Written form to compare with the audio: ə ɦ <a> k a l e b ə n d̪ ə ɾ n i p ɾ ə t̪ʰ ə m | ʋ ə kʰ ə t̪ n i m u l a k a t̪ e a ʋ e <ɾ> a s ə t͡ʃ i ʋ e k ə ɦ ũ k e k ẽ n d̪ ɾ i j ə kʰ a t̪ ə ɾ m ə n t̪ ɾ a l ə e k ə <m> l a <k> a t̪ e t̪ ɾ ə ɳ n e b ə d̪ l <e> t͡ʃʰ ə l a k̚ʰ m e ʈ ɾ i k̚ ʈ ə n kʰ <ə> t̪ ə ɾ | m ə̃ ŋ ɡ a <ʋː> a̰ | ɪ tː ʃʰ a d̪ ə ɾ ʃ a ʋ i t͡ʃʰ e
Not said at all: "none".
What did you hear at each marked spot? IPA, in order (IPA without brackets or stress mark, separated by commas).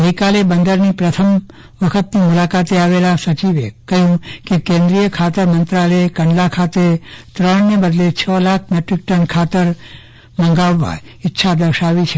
i, l, ɳ, kʰ, e, a, ʋː